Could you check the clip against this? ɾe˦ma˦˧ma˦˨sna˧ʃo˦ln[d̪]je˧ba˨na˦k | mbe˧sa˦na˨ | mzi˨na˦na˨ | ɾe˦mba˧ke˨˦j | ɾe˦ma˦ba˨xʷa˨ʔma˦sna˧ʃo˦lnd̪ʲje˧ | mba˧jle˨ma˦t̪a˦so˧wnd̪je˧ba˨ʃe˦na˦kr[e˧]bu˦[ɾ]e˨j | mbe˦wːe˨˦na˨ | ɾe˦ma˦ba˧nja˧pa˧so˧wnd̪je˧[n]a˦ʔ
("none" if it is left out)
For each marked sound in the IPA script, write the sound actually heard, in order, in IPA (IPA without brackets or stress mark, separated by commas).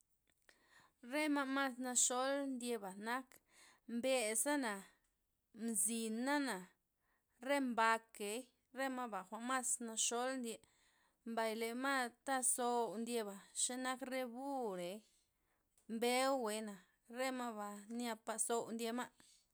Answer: d̪, e˧, ɾ, m